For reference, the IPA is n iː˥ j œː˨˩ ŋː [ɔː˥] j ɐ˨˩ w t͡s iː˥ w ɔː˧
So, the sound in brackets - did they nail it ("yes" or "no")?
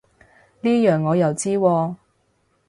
no